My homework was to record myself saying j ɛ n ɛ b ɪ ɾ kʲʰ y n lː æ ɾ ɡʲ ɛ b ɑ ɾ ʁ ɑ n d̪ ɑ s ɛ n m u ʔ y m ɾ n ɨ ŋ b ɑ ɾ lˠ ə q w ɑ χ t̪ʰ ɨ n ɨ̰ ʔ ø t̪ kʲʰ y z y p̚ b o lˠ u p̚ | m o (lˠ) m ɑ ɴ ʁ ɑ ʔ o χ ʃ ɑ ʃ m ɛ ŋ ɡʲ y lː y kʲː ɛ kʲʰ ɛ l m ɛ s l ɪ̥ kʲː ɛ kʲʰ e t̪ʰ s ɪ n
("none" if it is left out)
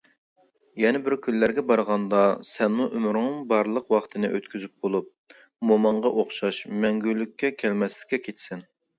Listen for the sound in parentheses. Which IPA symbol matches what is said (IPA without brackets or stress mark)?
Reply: none